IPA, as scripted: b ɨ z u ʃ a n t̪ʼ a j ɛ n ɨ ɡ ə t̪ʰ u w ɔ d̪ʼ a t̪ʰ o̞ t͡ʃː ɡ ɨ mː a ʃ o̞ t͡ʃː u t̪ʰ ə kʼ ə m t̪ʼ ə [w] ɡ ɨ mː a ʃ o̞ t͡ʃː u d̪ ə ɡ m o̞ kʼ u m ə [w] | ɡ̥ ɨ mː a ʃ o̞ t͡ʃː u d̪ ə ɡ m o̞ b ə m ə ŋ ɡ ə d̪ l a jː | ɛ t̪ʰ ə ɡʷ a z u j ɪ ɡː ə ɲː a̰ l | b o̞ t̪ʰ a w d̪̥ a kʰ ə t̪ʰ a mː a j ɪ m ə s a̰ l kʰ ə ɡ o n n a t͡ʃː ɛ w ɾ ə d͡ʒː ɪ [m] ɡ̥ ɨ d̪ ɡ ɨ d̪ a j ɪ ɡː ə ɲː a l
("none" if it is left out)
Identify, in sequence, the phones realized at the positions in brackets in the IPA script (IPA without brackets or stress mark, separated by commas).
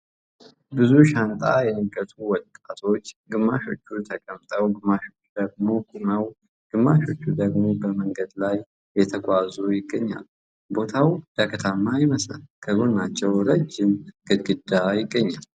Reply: w, w, m